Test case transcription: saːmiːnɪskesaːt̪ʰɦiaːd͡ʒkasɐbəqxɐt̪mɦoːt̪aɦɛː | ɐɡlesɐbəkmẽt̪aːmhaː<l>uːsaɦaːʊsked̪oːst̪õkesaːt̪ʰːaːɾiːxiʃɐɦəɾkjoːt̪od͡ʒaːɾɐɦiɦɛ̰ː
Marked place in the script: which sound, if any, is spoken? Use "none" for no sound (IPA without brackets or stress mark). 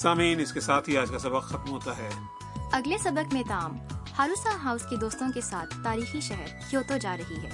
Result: ɾ